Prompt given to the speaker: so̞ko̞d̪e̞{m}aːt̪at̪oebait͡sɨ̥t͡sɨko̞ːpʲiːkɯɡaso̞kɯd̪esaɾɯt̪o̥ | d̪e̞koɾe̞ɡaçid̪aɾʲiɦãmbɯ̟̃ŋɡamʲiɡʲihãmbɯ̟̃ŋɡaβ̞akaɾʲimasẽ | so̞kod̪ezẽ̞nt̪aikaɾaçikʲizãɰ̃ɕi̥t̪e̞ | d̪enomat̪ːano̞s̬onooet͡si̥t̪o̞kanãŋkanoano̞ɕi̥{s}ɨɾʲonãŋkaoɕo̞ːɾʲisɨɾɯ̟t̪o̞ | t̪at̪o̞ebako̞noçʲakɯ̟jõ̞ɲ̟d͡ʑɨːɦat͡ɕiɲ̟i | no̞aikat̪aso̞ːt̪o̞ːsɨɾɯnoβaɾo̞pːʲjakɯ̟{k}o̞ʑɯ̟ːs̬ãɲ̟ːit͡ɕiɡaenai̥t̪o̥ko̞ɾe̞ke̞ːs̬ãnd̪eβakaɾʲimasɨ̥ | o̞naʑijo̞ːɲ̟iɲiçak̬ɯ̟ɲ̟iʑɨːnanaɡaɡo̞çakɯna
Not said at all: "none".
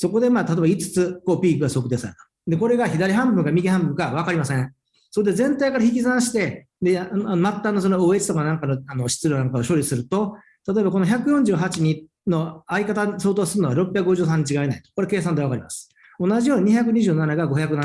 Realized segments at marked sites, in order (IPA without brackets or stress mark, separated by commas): m, t͡s, ɡ